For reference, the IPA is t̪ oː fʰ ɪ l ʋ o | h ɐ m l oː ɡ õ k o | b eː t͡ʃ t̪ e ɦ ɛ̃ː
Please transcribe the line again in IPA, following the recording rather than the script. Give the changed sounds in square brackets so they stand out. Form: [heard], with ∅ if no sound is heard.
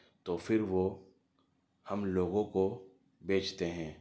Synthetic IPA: t̪ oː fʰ ɪ [ɾ] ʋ o | h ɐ m l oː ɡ õ k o | b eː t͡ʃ t̪ e ɦ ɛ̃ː